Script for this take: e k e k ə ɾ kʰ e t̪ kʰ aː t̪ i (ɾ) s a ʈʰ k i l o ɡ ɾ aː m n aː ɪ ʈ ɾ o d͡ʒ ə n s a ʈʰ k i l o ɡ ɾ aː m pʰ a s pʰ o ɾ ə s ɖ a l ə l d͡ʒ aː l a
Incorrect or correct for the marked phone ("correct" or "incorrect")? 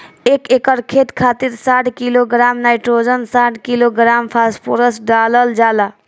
correct